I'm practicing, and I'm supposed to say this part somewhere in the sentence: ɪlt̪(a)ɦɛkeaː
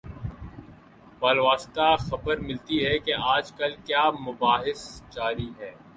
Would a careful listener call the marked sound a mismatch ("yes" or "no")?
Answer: yes